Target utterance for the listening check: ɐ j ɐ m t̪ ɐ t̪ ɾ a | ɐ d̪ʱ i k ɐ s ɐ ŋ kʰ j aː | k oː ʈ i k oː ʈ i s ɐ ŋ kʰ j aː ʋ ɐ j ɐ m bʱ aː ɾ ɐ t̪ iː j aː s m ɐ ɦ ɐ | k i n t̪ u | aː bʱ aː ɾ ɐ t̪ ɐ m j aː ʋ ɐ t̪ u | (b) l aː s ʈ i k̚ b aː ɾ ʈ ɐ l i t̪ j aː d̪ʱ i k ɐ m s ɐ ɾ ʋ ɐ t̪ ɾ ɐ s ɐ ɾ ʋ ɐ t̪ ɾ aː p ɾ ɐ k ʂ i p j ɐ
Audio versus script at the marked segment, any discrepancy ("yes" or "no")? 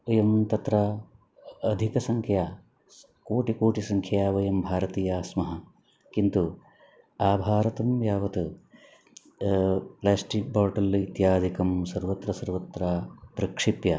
yes